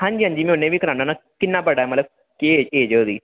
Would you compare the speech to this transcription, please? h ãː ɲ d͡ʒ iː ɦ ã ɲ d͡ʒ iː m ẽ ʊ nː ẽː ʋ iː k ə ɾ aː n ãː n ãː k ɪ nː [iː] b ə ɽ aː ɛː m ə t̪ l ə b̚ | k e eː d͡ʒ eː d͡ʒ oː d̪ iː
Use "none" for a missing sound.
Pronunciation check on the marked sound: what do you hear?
aː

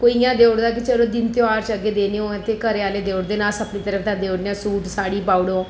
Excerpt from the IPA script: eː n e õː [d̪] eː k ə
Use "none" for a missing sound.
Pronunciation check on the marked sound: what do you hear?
t̪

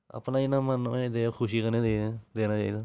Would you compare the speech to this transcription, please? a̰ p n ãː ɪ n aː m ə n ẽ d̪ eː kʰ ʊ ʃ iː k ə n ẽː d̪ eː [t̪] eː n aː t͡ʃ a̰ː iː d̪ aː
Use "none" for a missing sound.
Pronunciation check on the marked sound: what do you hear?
d̪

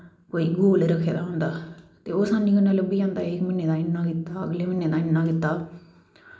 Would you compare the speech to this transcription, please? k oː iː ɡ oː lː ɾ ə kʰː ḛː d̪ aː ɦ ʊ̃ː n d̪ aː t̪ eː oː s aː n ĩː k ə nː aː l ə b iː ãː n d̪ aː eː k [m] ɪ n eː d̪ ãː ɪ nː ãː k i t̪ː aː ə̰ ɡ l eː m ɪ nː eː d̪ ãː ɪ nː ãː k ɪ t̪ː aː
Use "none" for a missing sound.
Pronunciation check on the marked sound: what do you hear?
m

